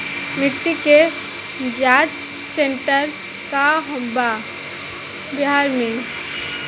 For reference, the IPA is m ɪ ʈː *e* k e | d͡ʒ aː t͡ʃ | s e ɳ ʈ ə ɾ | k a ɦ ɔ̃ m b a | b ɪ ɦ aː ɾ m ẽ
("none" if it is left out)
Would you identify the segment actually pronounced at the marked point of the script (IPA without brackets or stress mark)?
i